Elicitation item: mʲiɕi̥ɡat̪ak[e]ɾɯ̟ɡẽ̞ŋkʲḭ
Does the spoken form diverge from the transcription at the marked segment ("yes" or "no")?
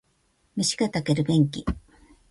no